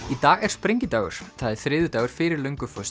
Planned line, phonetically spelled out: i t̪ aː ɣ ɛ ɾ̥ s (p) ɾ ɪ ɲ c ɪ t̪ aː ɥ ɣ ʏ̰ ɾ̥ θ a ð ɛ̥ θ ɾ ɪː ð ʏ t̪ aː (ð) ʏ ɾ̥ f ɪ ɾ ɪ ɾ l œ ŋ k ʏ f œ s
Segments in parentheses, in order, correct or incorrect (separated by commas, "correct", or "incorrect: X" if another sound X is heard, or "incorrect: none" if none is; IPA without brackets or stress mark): correct, incorrect: ɣ